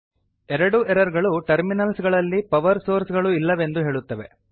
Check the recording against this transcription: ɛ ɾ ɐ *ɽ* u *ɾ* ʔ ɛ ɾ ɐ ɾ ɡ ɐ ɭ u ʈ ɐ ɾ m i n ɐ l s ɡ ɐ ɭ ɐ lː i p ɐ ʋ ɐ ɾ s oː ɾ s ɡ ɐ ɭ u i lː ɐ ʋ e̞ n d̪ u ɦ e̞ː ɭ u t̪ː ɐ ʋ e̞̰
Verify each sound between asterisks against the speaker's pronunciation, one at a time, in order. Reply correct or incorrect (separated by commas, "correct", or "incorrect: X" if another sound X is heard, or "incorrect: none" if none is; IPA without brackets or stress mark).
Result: correct, incorrect: none